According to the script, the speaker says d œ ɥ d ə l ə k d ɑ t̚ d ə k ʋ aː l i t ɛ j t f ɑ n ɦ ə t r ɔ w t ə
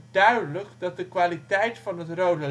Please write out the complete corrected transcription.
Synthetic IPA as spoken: d œ ɥ d ə l ə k d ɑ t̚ d ə k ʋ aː l i t ɛ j t f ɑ n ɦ ə t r o w d ə